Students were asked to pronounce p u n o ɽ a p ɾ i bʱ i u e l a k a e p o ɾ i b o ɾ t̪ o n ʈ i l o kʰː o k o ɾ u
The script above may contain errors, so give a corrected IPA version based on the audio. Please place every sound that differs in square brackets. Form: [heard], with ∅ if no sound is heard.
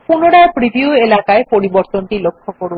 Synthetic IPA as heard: p u n o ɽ a p ɾ i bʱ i u e l a k a e p o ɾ i b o ɾ t̪ o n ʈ i l o kʰː o k o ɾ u

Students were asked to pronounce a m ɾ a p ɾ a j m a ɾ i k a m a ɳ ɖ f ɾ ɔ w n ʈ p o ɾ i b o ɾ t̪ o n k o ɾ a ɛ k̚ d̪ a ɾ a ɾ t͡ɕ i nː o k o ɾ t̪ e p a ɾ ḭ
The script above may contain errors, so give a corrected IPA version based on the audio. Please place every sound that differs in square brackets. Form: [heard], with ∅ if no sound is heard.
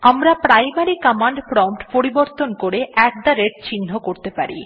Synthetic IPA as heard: a m ɾ a p ɾ a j m a ɾ i k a m a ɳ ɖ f ɾ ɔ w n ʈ p o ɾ i b o ɾ t̪ o n k o ɾ [e] ɛ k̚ d̪ a ɾ [e] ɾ t͡ɕ i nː o k o ɾ t̪ e p a ɾ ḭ

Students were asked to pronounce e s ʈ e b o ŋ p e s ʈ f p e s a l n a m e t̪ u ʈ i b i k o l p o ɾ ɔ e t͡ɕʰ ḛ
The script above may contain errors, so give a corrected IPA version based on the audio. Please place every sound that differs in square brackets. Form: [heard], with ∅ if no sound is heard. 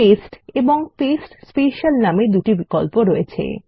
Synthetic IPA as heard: e s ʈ e b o ŋ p e s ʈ [s] p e [ʃ] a l n a m e [d̪] u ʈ i b i k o l p o ɾ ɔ e t͡ɕʰ ḛ

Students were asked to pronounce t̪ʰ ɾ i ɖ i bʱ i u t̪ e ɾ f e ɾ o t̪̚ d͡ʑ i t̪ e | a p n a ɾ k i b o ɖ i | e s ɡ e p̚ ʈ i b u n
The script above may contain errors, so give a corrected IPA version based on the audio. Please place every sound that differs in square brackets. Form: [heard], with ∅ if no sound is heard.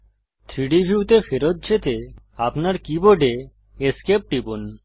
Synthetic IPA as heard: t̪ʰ ɾ i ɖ i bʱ i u t̪ e [∅] f e ɾ o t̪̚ d͡ʑ [e] t̪ e | a p n a ɾ k i b o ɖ [e] | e s [k] e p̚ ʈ i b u n

